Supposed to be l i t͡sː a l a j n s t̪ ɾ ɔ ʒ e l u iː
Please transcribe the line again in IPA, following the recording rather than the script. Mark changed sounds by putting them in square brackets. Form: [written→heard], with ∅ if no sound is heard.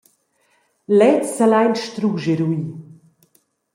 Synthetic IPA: l [i→ɛ] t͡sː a l a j n [s→ʃ] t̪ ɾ [ɔ→u] ʒ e [l→ɾ] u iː